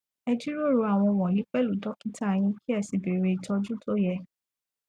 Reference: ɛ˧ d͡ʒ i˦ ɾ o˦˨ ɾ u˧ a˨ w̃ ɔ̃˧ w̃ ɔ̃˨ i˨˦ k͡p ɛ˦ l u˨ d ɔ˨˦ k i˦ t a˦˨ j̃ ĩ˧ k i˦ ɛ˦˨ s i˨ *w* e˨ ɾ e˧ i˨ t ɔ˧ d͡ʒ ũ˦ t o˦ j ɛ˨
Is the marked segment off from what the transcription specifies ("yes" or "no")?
yes